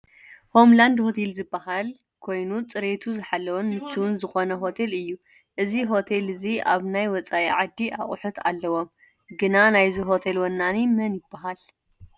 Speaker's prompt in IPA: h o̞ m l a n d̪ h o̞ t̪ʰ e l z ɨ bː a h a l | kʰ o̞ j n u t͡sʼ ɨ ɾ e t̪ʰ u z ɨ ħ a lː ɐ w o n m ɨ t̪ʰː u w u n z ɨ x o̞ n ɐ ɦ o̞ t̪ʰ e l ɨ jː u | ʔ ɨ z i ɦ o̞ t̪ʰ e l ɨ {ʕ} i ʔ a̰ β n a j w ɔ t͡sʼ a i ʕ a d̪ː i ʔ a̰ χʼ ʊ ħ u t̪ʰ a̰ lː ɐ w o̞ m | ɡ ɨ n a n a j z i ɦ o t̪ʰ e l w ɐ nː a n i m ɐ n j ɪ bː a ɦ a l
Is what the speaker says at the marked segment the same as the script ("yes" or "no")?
no